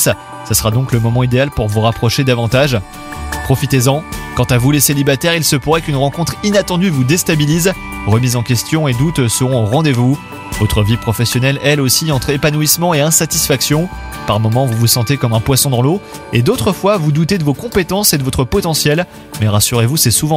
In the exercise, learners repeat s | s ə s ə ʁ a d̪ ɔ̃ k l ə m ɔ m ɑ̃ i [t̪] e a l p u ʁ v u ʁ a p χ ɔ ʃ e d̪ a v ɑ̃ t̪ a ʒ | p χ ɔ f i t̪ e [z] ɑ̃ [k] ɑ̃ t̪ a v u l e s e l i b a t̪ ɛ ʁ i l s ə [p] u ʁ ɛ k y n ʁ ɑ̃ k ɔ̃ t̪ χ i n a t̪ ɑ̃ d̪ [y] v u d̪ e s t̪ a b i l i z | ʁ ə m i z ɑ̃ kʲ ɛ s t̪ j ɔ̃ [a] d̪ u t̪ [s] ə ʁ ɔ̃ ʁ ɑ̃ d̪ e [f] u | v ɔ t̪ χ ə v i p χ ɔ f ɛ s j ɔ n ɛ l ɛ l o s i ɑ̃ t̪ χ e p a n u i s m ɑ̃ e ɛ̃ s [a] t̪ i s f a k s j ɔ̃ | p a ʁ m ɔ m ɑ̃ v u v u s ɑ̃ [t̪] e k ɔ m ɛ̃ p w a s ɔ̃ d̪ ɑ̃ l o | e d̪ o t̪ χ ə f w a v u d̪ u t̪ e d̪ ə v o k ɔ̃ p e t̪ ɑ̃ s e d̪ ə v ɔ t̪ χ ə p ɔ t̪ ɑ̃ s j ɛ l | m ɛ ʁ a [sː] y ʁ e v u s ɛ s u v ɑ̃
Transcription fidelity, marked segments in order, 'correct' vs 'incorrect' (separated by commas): incorrect, correct, correct, correct, correct, incorrect, correct, incorrect, correct, correct, incorrect